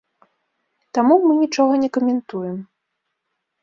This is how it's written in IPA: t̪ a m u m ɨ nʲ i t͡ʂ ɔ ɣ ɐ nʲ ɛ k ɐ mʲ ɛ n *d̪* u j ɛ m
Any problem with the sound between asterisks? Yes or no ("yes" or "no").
yes